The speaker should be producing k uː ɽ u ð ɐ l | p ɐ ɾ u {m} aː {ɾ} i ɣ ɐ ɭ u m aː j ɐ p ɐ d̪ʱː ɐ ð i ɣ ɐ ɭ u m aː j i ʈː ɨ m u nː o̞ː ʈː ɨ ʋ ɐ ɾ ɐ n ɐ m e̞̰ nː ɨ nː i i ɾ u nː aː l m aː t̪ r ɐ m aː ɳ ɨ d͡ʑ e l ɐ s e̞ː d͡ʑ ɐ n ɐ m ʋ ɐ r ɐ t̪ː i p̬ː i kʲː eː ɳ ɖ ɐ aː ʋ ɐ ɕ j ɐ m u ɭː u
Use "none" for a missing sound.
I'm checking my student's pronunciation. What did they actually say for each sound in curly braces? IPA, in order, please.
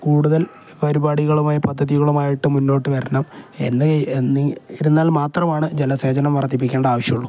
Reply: b, ɽ

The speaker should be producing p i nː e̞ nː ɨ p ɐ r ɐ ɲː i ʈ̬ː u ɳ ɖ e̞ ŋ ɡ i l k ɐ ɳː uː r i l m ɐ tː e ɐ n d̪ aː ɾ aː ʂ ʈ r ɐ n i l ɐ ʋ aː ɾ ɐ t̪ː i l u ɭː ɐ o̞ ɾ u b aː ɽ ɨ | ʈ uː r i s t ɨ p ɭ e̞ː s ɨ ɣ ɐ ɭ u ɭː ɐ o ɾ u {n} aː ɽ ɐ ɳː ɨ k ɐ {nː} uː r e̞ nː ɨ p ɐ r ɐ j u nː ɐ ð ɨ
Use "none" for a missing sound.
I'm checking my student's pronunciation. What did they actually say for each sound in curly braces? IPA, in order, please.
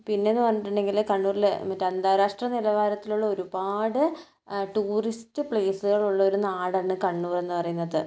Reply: n, ɳː

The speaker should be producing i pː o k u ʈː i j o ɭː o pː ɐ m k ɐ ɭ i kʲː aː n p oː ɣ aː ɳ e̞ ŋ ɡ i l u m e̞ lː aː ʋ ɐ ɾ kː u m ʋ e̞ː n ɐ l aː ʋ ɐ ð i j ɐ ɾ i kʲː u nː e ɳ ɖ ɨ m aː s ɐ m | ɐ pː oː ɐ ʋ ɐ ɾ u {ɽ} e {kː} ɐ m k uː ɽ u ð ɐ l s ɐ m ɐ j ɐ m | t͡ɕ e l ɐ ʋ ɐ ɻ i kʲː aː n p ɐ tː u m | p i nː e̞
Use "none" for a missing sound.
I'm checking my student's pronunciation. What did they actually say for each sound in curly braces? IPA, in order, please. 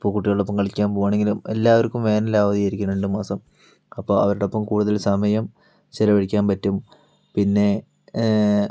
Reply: ɽ, pː

